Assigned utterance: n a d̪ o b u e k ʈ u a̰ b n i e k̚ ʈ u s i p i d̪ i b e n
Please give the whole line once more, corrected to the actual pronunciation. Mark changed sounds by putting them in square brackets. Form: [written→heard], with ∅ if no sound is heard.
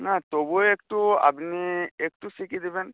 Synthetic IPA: n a [d̪→t̪] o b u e k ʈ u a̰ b n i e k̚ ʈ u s i [p→k] i d̪ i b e n